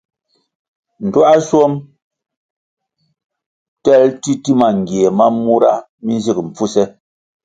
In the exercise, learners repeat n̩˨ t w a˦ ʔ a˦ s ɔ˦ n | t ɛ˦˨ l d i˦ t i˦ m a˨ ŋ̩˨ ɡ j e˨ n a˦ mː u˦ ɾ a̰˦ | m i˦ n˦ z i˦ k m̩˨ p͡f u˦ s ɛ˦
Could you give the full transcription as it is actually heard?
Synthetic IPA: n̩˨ t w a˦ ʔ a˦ s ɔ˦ m | t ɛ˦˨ l t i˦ t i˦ m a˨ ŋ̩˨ ɡ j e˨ m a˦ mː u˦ ɾ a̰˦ | m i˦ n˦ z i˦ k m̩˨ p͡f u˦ s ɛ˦